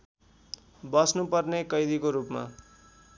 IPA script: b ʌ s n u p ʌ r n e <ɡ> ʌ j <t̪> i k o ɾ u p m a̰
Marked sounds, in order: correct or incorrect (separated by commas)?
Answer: incorrect, incorrect